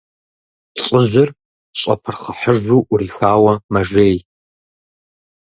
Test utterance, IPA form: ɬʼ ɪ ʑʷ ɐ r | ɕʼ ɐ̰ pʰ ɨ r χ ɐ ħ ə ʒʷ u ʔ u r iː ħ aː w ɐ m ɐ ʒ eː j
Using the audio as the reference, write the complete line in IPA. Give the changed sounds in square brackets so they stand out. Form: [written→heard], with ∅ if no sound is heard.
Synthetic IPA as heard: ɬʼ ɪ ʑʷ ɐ r | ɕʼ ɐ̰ pʰ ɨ r χ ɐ ħ ə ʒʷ u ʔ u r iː [ħ→x] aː w ɐ m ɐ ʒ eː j